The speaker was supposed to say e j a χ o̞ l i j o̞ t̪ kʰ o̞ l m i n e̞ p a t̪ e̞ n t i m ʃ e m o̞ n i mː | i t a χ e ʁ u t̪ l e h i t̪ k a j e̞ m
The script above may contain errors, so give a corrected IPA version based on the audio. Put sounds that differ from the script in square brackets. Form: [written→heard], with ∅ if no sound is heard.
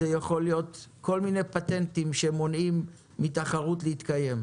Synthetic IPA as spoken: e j a χ o̞ l i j o̞ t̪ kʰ o̞ l m i n e̞ p a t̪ e̞ n t i m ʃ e m o̞ n i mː | i t a χ [e→a] ʁ u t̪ l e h i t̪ k a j e̞ m